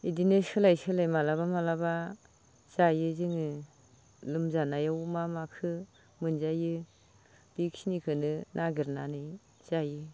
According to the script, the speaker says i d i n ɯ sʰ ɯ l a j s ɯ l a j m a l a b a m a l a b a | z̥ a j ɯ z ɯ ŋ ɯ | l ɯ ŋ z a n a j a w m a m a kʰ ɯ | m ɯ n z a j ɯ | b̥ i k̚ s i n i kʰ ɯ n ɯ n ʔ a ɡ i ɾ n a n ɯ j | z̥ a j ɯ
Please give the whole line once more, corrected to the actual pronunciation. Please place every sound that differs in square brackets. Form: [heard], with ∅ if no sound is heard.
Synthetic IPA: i d i n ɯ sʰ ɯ l a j s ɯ l a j m a l a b a m a l a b a | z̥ a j ɯ z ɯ ŋ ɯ | l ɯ [m] z a n a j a w m a m a kʰ ɯ | m ɯ n z a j ɯ | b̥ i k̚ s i n i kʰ ɯ n ɯ n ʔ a ɡ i ɾ n a n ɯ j | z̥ a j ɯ